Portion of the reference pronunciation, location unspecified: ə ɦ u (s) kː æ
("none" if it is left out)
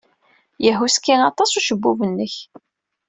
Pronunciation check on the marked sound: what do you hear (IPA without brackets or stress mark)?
s